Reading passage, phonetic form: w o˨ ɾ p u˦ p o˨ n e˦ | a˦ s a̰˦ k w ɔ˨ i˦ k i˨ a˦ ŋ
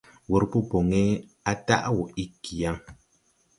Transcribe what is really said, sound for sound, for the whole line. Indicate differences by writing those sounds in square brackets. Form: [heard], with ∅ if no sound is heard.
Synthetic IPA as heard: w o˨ ɾ p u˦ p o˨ [ŋ] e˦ | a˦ [t] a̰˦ [ʔ] w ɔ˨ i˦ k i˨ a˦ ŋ